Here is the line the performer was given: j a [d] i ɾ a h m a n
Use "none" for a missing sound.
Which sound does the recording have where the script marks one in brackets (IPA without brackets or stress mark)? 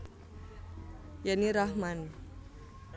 n